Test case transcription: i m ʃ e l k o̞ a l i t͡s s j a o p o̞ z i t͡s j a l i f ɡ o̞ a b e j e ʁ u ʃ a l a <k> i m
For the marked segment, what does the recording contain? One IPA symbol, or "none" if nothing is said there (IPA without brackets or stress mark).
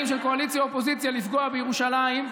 none